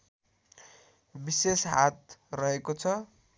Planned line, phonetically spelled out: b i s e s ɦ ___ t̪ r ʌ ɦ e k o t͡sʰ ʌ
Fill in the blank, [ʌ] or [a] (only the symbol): a